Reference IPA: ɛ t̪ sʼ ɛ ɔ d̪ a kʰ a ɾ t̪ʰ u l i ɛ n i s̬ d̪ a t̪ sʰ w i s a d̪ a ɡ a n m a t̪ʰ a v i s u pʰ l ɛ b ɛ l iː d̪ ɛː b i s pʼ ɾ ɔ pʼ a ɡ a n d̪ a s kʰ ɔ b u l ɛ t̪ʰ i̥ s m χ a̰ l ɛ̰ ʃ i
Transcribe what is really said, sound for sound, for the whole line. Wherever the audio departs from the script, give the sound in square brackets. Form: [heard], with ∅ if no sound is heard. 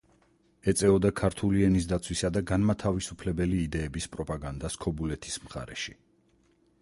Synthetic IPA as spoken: ɛ t̪ sʼ ɛ ɔ d̪ a kʰ a ɾ t̪ʰ u l i ɛ n i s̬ d̪ a t̪ sʰ w i s a d̪ a ɡ a n m a t̪ʰ a v i s u pʰ l ɛ b ɛ l iː d̪ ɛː b i s pʼ ɾ ɔ pʼ a ɡ a n d̪ a s kʰ ɔ b u l ɛ t̪ʰ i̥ s m χ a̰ [ɾ] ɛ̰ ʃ i

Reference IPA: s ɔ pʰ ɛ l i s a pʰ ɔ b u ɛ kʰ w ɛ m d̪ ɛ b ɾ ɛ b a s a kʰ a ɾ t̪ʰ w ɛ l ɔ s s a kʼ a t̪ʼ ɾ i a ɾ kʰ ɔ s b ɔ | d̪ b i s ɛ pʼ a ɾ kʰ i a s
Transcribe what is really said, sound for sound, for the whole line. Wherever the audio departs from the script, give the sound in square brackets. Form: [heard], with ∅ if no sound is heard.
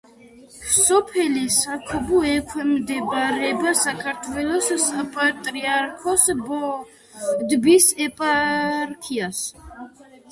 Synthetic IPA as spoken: s ɔ pʰ ɛ l i s a [kʰ] ɔ b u ɛ kʰ w ɛ m d̪ ɛ b ɾ ɛ b a s a kʰ a ɾ t̪ʰ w ɛ l ɔ s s a [pʼ] a t̪ʼ ɾ i a ɾ kʰ ɔ s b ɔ | d̪ b i s ɛ pʼ a ɾ kʰ i a s

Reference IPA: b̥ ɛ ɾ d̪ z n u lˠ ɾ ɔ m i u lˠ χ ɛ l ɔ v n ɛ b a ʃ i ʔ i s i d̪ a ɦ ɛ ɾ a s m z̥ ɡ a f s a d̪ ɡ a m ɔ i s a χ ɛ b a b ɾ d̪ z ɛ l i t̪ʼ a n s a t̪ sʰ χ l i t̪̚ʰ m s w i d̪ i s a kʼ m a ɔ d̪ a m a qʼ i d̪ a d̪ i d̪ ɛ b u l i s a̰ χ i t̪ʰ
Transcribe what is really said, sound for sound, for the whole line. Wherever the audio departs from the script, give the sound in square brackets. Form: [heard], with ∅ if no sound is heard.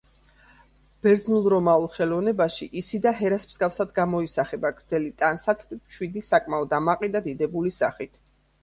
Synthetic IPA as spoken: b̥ ɛ ɾ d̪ z n u lˠ ɾ ɔ m [a] u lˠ χ ɛ l ɔ v n ɛ b a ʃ i ʔ i s i d̪ a ɦ ɛ ɾ a s m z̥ ɡ a f s a d̪ ɡ a m ɔ i s a χ ɛ b a [ɡ] ɾ d̪ z ɛ l i t̪ʼ a n s a t̪ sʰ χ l i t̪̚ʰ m [ʃ] w i d̪ i s a kʼ m a ɔ d̪ a m a qʼ i d̪ a d̪ i d̪ ɛ b u l i s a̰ χ i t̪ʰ

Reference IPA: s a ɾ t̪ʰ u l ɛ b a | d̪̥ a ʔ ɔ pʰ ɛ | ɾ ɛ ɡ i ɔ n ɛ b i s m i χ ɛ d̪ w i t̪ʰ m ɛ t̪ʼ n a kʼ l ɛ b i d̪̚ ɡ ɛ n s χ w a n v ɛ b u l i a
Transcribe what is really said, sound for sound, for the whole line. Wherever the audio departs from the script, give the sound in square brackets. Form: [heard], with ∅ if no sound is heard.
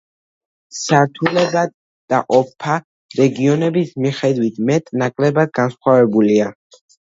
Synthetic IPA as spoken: s a ɾ t̪ʰ u l ɛ b a | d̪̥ a ʔ ɔ pʰ [a] | ɾ ɛ ɡ i ɔ n ɛ b i s m i χ ɛ d̪ w i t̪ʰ m ɛ t̪ʼ n a kʼ l ɛ b [a] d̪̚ ɡ [a] n s χ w a [∅] v ɛ b u l i a

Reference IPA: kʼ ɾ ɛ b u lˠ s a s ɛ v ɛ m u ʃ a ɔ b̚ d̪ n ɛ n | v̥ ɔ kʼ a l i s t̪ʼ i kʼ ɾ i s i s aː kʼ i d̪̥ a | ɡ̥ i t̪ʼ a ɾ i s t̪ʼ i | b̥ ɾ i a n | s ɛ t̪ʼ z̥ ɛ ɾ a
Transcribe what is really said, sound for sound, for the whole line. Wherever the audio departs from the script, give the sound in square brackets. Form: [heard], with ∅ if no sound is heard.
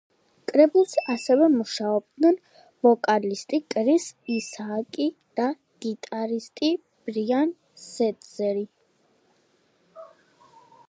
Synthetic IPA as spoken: kʼ ɾ ɛ b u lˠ s a s ɛ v ɛ m u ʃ a ɔ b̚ d̪ n ɛ n | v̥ ɔ kʼ a l i s t̪ʼ i kʼ ɾ i s i s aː kʼ i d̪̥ a | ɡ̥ i t̪ʼ a ɾ i s t̪ʼ i | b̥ ɾ i a n | s ɛ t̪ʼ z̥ ɛ ɾ [i]

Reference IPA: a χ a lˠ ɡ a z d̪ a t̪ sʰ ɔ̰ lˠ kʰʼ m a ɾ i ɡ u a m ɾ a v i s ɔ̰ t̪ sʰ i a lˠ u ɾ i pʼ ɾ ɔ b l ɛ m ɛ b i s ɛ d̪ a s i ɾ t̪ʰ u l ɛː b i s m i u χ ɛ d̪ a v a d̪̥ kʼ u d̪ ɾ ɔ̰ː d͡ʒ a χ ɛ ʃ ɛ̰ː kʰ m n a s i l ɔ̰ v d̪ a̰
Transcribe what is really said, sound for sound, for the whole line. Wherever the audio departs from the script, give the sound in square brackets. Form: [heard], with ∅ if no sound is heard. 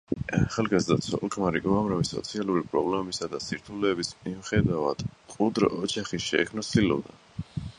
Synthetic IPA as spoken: a χ a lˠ ɡ a z d̪ a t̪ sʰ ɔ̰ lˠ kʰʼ m a ɾ i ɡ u a m ɾ a v i s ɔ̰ t̪ sʰ i a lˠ u ɾ i pʼ ɾ ɔ b l ɛ m ɛ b i s [a] d̪ a s i ɾ t̪ʰ u l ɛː b i s m i u χ ɛ d̪ a v a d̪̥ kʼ u d̪ ɾ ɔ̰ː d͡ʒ a χ [i] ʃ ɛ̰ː kʰ m n a s i l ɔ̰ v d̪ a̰

